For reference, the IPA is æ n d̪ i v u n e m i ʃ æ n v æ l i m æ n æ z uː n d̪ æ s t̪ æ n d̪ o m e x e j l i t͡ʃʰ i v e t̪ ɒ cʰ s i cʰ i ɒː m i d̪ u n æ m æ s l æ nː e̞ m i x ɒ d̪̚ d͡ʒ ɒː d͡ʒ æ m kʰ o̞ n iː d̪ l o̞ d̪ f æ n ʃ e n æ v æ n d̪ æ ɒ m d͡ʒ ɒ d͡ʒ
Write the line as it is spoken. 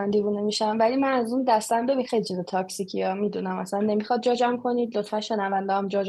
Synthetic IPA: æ n d̪ i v u n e m i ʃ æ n v æ l i m æ n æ z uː n d̪ æ s t̪ æ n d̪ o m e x e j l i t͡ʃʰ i z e t̪ʰ ɒ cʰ s i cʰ i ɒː m i d̪ u n æ m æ s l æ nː e̞ m i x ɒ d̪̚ d͡ʒ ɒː d͡ʒ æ m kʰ o̞ n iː d̪ l o̞ t̪ f æ n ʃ e n æ v æ n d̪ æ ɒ m d͡ʒ ɒ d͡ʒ